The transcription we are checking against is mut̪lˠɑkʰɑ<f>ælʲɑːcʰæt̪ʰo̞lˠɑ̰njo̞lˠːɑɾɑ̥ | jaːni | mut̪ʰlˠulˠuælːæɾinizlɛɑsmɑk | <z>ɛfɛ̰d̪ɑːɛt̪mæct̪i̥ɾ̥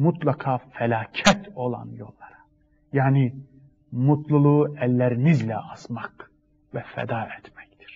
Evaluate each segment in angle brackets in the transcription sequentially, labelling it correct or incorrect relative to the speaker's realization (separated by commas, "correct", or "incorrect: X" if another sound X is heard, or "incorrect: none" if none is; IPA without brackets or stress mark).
correct, incorrect: v